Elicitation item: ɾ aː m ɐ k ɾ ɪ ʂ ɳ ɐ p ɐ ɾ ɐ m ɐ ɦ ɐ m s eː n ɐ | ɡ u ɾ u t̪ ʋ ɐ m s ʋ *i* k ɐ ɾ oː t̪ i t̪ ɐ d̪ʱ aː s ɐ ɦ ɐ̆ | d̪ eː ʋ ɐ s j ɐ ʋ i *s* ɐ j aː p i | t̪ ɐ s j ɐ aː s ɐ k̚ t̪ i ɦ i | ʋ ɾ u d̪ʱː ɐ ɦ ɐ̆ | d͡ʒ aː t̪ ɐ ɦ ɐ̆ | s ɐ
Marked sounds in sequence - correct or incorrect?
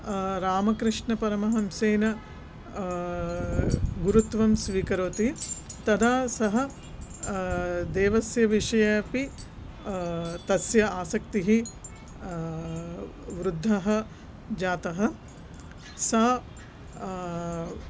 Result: incorrect, incorrect

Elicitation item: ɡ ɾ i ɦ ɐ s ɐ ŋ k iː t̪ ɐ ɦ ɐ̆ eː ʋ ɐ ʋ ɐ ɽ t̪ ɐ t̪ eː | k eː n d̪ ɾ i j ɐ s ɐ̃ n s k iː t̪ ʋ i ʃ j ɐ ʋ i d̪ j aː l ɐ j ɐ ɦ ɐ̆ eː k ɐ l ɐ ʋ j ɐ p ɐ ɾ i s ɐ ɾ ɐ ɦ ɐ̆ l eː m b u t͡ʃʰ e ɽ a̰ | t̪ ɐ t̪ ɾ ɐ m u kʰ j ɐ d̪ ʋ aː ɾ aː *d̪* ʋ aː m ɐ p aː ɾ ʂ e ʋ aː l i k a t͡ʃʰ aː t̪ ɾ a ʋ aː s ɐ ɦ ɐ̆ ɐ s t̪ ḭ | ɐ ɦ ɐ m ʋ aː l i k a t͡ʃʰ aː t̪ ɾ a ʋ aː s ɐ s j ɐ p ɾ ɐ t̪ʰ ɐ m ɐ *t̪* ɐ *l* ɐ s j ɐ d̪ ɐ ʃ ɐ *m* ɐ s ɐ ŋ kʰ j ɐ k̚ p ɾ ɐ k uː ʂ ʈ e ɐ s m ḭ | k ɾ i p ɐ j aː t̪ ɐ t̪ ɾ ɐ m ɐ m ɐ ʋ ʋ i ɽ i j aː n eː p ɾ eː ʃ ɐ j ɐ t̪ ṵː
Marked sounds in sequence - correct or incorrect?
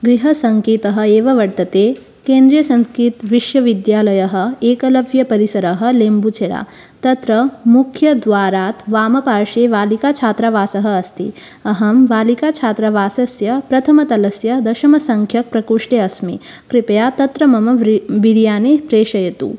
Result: incorrect, correct, correct, correct

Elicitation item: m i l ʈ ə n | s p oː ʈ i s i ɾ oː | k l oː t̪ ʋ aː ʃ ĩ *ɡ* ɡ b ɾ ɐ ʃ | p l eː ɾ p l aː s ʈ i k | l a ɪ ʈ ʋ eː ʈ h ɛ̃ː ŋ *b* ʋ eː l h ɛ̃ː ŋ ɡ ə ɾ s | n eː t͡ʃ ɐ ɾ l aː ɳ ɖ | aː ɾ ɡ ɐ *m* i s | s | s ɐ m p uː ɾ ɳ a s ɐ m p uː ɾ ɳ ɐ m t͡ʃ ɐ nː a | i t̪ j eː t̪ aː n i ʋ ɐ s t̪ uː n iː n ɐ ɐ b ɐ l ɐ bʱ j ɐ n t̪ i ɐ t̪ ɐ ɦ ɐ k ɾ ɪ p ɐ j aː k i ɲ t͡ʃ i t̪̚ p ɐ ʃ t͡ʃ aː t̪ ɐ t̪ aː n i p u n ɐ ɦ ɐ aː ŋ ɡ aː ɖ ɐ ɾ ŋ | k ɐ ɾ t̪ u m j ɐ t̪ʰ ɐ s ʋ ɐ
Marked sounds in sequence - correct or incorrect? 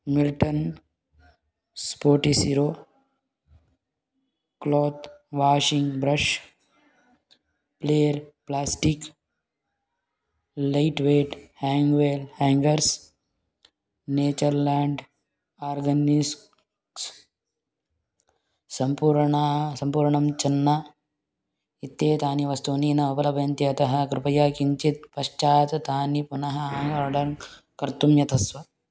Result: incorrect, incorrect, incorrect

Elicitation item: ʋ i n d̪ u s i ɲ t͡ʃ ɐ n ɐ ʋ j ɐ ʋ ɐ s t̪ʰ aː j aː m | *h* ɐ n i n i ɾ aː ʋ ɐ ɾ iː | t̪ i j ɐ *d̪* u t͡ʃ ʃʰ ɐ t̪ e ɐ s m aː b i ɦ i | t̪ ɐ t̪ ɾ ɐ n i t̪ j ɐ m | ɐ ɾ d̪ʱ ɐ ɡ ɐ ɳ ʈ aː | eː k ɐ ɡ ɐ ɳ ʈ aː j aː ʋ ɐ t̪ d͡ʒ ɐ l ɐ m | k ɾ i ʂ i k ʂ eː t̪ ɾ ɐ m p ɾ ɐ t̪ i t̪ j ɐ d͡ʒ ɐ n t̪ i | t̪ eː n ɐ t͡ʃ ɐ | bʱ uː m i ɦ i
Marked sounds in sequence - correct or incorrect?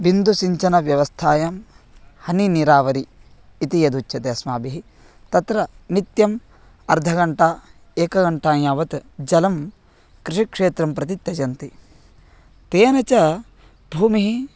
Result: correct, correct

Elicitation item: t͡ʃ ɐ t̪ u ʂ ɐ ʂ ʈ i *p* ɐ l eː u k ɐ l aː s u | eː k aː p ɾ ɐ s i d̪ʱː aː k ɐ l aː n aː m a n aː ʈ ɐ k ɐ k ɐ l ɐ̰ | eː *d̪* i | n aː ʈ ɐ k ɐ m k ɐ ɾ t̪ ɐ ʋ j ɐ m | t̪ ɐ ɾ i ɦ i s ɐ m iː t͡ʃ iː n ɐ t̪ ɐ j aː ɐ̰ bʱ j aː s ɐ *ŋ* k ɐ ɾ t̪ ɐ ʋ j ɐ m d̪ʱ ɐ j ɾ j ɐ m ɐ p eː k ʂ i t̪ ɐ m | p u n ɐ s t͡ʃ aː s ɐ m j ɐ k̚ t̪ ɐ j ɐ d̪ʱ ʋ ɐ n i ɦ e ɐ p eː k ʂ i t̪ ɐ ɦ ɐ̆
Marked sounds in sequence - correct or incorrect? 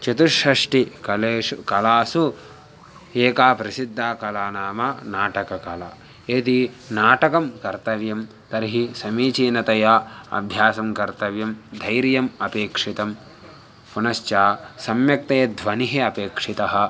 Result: incorrect, incorrect, incorrect

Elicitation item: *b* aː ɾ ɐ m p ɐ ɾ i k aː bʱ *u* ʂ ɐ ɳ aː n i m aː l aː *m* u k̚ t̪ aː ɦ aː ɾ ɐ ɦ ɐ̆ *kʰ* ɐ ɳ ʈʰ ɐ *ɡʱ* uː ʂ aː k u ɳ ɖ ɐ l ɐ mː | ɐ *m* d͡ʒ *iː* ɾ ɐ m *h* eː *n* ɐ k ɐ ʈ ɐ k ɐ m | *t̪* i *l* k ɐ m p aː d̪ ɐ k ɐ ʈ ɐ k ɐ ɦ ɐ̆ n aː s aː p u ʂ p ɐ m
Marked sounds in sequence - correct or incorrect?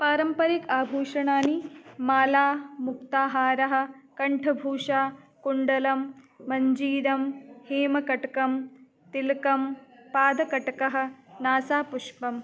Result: incorrect, incorrect, correct, incorrect, incorrect, incorrect, correct, correct, incorrect, correct, correct

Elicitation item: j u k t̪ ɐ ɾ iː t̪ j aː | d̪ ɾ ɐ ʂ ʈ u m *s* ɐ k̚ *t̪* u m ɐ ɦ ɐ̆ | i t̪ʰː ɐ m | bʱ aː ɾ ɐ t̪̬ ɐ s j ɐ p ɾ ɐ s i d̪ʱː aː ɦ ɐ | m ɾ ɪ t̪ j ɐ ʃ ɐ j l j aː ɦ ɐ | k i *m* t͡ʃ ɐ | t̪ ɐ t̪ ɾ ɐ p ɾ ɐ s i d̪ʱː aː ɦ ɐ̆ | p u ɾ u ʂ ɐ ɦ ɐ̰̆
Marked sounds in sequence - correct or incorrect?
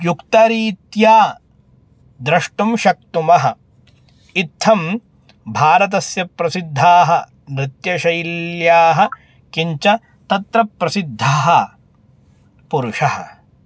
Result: incorrect, correct, incorrect

